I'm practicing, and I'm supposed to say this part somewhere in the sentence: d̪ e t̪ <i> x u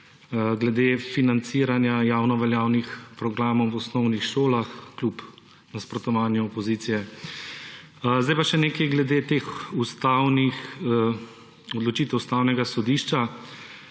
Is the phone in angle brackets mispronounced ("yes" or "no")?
yes